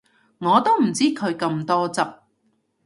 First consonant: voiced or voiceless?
voiced